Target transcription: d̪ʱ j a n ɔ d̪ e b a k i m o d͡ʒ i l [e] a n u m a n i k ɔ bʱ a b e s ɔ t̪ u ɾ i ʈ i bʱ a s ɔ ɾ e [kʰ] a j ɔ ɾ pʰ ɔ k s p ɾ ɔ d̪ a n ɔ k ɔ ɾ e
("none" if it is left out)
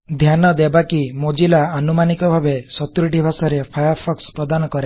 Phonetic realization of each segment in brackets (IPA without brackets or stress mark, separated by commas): a, pʰ